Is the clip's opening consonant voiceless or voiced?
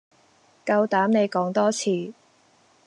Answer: voiceless